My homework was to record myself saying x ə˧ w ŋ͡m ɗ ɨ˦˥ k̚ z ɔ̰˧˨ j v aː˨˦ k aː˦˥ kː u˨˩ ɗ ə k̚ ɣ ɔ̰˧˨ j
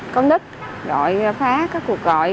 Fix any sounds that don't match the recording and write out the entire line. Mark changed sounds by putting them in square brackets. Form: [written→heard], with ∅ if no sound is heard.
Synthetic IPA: [x→k] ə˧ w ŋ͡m ɗ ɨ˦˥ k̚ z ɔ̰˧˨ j [v→f] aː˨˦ k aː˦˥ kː u˨˩ [ɗ→∅] ə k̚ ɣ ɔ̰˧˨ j